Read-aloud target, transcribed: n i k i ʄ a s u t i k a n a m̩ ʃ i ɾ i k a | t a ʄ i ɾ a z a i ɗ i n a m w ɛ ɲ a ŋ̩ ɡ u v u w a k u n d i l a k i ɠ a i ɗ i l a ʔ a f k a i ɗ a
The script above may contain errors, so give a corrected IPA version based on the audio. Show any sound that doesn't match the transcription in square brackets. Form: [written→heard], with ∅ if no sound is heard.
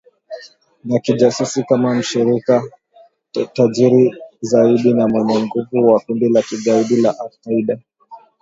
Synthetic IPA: n [i→a] k i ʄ a s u [t→s] i k a [n→m] a m̩ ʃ i ɾ i k a | t a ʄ i ɾ [a→i] z a i ɗ i n a m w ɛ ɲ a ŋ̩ ɡ u v u w a k u n d i l a k i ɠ a i ɗ i l a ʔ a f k a i ɗ a